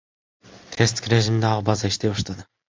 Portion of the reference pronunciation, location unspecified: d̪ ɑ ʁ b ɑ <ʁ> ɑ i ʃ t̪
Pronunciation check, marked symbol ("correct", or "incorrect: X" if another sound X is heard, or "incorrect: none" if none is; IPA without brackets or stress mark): incorrect: z